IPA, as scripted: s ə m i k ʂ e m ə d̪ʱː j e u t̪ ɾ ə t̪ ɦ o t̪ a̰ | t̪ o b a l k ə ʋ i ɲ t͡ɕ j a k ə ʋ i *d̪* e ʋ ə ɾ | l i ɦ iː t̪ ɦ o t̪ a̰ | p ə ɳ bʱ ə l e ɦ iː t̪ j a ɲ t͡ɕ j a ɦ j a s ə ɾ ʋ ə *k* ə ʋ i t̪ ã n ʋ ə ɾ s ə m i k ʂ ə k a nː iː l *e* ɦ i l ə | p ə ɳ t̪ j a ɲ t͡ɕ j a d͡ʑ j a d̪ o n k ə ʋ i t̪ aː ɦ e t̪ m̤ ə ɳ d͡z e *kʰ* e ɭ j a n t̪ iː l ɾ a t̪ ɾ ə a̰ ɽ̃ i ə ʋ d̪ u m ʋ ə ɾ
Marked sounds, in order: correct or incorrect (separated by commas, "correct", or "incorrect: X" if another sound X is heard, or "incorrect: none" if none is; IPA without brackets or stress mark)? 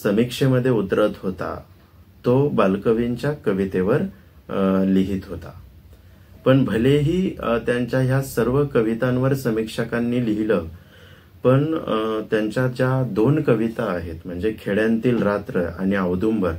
incorrect: t̪, correct, incorrect: i, correct